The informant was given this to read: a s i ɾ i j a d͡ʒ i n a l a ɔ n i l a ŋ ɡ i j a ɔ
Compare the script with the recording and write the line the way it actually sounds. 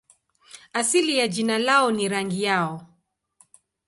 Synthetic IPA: a s i l i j a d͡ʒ i n a l a ɔ n i ɾ a ŋ ɡ i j a ɔ